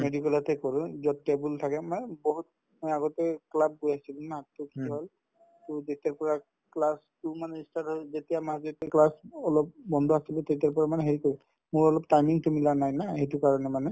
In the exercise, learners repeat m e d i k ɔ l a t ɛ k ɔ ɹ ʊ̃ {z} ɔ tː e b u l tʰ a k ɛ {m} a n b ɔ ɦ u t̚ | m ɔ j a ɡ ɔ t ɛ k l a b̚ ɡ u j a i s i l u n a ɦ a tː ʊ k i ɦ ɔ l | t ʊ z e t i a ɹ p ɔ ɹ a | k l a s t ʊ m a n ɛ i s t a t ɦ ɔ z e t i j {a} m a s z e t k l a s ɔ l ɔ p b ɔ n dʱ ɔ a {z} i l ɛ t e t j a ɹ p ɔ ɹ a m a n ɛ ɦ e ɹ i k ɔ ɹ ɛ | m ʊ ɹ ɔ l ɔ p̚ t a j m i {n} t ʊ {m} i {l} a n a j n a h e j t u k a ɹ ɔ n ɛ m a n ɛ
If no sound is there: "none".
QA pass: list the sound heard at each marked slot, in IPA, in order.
z, m, a, s, ŋ, m, l

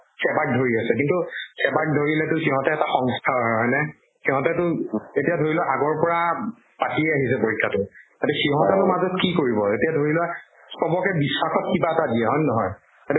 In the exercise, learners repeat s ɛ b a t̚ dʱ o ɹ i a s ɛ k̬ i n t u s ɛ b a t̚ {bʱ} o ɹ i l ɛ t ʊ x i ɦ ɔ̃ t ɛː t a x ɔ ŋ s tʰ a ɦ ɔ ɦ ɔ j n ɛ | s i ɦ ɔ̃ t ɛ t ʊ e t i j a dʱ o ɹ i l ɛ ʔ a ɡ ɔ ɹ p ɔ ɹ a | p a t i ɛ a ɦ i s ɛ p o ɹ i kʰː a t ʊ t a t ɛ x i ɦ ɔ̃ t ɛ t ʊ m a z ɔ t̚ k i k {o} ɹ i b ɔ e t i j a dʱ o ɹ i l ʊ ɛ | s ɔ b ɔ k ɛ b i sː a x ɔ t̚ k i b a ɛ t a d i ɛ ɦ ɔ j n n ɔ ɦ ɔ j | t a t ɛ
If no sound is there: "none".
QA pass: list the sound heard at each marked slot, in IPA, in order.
dʱ, o

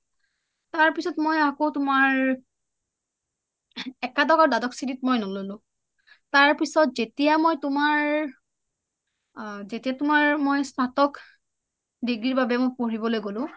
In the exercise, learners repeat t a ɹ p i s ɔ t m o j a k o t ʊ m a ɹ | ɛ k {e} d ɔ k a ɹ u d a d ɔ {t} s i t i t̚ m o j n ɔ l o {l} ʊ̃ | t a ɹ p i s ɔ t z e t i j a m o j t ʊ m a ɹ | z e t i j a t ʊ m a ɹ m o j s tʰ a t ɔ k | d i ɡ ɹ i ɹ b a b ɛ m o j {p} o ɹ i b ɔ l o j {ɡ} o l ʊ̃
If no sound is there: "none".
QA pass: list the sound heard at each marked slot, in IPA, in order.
a, k, l, p, ɡ

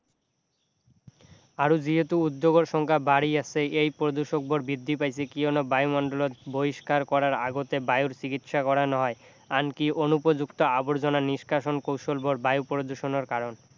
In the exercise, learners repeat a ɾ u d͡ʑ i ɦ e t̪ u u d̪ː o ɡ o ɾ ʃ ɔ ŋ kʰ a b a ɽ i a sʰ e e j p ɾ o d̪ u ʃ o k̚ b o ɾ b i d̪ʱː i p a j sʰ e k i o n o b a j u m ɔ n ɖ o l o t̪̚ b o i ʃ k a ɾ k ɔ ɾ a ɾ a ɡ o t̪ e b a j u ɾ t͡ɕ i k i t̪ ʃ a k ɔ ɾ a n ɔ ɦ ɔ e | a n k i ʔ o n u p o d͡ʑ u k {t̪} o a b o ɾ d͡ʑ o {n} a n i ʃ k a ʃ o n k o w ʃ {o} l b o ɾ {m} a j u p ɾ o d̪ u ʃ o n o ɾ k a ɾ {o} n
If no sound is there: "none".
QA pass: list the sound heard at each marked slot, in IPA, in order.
t̪, n, o, b, o

